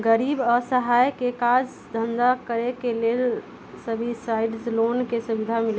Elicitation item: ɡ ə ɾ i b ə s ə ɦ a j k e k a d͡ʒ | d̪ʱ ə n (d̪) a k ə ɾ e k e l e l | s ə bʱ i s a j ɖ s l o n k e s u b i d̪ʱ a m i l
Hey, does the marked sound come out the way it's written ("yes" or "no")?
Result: yes